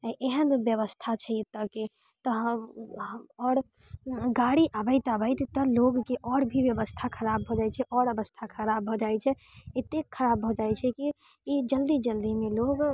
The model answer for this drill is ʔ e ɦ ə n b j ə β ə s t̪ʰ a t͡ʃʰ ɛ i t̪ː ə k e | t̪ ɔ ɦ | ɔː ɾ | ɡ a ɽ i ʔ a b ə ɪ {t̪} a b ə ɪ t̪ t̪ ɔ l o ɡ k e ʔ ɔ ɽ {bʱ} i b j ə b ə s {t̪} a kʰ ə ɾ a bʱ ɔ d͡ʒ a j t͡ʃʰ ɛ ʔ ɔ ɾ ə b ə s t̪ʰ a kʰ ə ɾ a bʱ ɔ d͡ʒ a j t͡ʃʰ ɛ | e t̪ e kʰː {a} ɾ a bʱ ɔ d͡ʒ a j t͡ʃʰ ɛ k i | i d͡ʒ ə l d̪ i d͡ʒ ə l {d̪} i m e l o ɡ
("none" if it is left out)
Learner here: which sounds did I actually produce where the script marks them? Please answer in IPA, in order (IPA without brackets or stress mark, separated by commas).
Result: t̪, bʱ, t̪ʰ, ə, d̪